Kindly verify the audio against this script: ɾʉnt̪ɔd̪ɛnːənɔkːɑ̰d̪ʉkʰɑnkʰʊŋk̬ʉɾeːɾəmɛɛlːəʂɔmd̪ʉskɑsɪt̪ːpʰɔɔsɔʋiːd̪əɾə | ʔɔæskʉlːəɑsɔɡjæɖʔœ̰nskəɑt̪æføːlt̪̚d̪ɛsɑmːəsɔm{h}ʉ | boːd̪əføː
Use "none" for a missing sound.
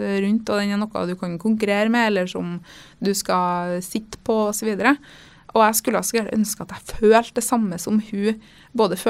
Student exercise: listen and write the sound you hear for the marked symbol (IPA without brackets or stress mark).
h